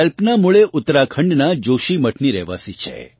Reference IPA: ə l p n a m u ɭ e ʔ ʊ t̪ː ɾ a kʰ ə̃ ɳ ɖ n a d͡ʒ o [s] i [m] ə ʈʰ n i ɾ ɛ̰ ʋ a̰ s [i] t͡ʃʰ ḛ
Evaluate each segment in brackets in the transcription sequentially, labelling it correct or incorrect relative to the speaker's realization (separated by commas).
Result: incorrect, correct, correct